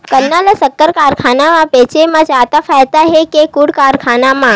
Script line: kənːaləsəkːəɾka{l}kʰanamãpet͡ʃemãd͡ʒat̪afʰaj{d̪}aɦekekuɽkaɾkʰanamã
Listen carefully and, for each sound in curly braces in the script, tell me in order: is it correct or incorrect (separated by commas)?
incorrect, incorrect